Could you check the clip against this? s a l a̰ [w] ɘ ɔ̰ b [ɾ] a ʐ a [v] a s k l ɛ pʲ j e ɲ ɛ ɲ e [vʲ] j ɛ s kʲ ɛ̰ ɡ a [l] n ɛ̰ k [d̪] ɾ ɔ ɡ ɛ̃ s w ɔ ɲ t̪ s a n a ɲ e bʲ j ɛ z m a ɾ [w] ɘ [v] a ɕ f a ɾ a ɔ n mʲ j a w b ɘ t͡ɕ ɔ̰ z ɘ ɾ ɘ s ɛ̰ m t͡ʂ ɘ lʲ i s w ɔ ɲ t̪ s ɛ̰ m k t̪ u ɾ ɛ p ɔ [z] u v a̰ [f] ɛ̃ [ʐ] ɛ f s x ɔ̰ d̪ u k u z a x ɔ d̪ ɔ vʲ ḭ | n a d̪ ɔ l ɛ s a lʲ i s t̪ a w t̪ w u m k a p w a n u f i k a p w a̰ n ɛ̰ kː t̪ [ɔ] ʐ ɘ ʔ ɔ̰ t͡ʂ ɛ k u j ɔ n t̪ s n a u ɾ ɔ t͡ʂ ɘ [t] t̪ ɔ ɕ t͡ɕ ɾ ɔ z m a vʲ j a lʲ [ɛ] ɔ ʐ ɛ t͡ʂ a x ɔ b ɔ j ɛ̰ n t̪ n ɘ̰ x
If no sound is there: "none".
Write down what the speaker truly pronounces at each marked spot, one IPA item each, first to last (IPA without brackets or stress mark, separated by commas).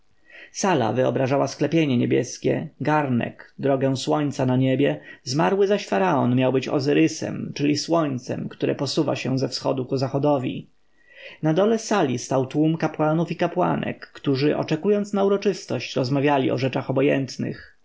v, ɾ, w, bʲ, ɾ, d̪, w, z, s, ɕ, z, u, s, i